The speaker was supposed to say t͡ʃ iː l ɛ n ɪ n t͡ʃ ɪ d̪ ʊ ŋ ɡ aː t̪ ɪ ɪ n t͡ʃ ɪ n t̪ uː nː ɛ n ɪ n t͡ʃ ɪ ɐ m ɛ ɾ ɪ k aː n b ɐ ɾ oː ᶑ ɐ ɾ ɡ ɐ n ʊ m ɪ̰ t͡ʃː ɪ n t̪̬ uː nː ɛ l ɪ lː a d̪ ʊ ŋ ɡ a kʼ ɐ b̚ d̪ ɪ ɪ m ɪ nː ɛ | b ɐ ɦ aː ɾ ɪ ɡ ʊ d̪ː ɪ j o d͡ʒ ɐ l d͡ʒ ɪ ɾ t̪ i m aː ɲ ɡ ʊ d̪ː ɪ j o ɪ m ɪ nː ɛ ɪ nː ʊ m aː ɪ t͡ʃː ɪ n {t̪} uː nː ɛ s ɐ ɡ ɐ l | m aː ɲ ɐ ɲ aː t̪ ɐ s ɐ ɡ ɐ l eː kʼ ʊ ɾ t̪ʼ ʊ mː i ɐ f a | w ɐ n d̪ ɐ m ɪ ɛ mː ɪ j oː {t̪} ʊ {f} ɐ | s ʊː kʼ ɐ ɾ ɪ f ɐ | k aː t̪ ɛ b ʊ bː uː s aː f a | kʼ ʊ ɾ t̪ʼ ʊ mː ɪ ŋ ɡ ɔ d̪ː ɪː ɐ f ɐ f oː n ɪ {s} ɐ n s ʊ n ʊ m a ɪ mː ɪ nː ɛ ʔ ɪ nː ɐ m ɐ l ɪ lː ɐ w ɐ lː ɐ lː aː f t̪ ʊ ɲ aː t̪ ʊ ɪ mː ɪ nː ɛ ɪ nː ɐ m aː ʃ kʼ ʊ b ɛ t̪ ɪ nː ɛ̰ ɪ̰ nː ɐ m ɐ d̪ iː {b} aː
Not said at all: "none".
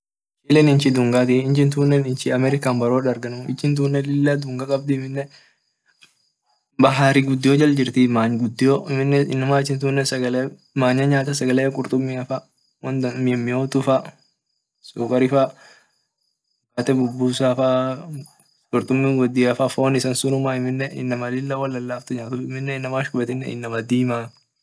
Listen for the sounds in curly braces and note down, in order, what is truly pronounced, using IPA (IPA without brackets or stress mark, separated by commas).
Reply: t̪, t̪, f, s, m